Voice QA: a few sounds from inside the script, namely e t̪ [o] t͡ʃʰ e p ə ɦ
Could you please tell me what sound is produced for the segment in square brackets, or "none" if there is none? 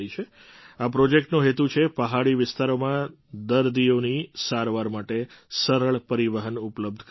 u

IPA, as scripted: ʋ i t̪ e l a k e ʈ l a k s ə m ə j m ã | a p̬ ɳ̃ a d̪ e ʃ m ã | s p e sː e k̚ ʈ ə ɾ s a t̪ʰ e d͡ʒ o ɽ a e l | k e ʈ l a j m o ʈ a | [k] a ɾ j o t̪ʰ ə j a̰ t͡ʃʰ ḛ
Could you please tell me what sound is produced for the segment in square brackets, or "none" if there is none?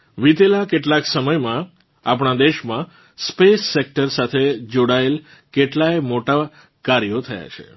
k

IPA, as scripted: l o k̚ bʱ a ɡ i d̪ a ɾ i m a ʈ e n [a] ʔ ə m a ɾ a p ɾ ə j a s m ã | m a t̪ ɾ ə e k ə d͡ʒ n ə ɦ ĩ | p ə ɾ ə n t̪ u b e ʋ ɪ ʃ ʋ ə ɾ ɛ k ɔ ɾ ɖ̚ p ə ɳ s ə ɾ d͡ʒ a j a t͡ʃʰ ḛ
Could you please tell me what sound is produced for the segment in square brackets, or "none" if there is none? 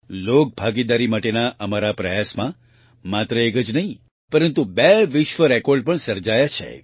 a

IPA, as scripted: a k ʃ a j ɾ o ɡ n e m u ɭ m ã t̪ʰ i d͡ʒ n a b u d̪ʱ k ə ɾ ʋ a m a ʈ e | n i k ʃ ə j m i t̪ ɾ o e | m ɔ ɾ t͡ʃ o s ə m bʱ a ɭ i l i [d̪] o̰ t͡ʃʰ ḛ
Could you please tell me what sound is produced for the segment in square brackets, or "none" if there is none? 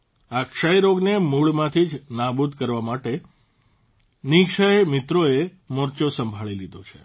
d̪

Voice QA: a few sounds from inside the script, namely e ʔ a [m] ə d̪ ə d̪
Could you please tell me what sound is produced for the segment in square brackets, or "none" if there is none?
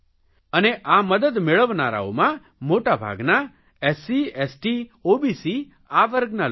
m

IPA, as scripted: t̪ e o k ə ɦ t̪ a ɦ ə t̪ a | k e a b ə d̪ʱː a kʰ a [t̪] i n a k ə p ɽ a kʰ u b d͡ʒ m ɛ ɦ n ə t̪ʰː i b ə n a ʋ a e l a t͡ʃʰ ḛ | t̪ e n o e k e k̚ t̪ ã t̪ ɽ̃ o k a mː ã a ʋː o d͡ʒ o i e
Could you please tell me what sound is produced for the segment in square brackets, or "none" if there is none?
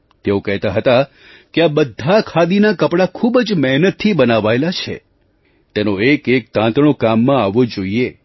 d̪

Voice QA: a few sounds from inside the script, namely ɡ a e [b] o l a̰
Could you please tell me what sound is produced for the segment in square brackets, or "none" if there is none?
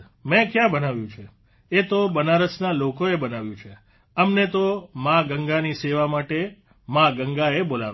b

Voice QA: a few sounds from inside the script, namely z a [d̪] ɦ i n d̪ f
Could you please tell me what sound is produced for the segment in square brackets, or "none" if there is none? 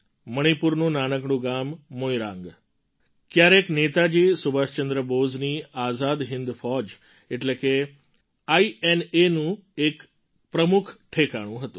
d̪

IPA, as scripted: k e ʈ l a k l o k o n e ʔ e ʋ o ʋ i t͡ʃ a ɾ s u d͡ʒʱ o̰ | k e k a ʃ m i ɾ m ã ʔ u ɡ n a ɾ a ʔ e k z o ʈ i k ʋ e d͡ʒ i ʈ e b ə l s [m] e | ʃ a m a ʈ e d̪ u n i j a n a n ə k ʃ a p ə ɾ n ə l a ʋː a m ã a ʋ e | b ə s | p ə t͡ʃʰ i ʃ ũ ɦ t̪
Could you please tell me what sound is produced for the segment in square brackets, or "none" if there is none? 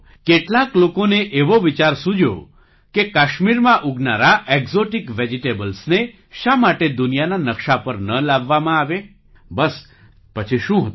n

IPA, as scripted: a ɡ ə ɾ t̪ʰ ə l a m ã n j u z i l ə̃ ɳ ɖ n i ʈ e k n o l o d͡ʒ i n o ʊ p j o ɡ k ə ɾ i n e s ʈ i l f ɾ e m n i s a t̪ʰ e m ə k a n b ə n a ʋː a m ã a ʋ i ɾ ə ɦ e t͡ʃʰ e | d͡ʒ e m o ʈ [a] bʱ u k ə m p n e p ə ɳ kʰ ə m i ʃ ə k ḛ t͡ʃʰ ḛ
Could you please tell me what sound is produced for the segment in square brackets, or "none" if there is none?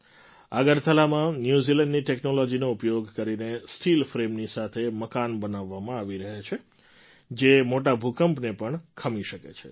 a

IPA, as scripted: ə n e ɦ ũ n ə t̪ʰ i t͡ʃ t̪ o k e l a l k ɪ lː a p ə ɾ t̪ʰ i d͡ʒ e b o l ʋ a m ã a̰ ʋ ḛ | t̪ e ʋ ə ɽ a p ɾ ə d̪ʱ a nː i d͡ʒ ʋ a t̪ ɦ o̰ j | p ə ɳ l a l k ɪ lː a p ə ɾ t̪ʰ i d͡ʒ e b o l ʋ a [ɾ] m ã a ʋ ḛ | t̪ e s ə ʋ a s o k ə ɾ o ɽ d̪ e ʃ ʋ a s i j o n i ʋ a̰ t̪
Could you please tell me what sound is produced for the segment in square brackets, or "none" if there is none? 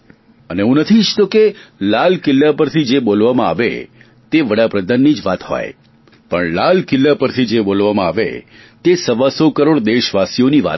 none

